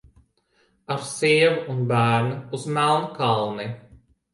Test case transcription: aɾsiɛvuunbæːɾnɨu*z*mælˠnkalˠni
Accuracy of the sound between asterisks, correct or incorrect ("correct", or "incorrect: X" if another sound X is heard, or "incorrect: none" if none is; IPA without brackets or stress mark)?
correct